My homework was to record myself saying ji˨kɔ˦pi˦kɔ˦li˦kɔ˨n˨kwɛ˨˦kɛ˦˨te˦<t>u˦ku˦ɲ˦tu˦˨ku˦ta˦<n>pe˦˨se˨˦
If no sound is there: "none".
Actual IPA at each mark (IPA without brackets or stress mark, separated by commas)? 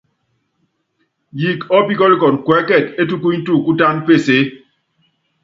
t, n